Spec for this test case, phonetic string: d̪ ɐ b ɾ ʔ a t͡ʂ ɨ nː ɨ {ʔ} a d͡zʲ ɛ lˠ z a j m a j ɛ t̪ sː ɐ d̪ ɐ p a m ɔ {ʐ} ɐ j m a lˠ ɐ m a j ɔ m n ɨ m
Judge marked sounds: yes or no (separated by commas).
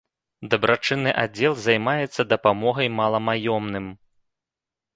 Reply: yes, no